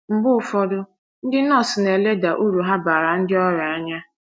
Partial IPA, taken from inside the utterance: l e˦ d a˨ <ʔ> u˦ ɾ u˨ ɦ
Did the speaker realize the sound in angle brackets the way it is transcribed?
yes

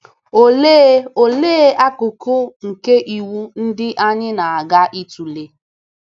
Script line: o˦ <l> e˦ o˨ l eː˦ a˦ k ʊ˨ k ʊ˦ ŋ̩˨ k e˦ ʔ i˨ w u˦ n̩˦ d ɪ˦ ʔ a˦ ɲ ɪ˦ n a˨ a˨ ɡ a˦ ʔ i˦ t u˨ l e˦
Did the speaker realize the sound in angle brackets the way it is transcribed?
yes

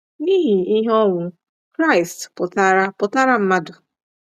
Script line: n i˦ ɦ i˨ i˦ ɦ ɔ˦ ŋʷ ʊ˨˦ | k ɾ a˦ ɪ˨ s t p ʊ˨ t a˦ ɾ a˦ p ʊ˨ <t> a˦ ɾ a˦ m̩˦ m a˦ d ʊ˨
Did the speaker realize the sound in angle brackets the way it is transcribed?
yes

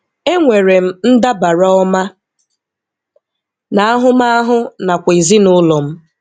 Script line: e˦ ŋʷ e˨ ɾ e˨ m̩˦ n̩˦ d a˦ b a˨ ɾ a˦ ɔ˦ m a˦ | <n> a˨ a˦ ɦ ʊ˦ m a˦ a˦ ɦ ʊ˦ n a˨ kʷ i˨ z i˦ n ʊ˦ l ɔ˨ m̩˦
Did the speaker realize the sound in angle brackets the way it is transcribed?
yes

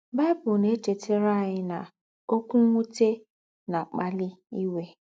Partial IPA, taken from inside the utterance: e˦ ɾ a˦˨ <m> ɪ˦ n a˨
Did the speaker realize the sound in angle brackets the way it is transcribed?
no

